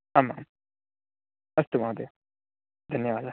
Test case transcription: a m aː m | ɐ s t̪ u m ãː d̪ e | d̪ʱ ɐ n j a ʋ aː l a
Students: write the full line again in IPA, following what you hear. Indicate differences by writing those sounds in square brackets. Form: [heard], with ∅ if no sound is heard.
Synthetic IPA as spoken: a m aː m | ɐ s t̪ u m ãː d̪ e | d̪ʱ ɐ n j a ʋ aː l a